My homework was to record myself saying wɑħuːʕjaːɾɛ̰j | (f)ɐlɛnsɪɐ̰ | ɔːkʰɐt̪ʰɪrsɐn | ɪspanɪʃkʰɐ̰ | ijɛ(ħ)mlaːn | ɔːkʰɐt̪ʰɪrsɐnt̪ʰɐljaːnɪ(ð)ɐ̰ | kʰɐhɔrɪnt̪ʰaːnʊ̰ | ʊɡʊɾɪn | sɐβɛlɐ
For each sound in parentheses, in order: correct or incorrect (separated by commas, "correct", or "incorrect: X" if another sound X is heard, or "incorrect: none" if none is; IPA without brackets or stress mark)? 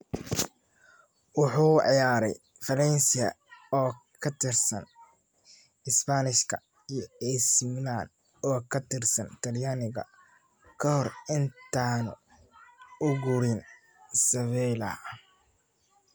correct, incorrect: s, incorrect: ɣ